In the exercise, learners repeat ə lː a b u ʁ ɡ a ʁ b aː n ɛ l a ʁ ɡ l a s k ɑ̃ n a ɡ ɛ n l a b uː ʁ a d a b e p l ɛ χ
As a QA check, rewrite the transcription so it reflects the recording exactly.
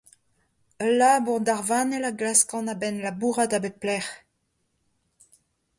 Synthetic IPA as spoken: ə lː a b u ʁ d a ʁ v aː n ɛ l a ɡ l a s k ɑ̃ n a b ɛ n l a b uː ʁ a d a b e p l ɛ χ